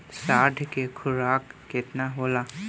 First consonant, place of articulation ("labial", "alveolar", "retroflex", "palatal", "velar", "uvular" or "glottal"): alveolar